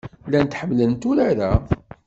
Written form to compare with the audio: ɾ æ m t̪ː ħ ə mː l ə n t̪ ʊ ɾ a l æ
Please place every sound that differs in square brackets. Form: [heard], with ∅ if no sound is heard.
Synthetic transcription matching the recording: [l] æ [n] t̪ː ħ ə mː l ə n t̪ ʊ ɾ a [ɾ] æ